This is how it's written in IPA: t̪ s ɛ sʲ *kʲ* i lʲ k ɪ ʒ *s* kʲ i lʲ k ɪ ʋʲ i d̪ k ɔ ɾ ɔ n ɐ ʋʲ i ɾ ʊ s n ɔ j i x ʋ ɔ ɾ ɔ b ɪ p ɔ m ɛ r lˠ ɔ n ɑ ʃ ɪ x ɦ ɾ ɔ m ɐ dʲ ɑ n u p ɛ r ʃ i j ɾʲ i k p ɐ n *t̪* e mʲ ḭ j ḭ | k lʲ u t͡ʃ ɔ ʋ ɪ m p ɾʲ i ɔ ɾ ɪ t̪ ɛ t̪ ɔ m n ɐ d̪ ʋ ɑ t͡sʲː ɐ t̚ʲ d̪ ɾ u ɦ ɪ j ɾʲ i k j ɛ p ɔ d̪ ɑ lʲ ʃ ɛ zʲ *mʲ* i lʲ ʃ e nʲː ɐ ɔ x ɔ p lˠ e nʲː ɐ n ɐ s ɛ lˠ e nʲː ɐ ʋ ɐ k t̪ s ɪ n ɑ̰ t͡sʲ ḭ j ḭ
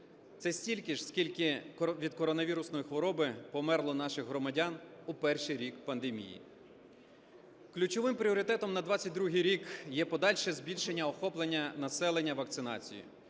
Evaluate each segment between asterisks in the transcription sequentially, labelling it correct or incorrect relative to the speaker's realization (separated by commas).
incorrect, correct, incorrect, incorrect